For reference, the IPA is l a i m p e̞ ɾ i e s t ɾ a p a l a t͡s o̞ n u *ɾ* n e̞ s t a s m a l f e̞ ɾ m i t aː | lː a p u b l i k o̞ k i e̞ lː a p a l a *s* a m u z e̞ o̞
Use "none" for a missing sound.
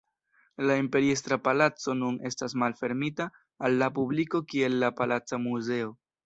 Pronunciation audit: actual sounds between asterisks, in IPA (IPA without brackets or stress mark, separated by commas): none, t͡s